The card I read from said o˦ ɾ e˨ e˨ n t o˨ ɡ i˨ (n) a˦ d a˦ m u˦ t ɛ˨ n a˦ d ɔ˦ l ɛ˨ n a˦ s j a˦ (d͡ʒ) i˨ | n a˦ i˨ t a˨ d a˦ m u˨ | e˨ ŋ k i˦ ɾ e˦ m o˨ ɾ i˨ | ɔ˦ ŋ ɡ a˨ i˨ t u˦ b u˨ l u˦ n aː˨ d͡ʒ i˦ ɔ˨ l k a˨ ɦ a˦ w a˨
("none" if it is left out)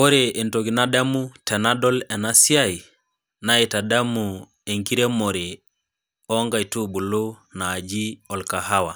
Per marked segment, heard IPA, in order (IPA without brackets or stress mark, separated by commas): n, none